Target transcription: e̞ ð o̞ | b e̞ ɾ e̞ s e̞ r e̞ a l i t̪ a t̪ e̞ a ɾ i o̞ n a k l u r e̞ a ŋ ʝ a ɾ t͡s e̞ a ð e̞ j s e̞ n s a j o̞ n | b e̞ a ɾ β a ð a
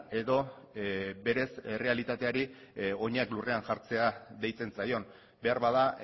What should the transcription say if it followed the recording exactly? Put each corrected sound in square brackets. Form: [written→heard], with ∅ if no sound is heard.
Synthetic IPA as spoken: e̞ ð o̞ | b e̞ ɾ e̞ s e̞ r e̞ a l i t̪ a t̪ e̞ a ɾ i o̞ [n→ɲ] a k l u r e̞ a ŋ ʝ a ɾ t͡s e̞ a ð e̞ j [s→t͡s] e̞ n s a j o̞ n | b e̞ a ɾ β a ð a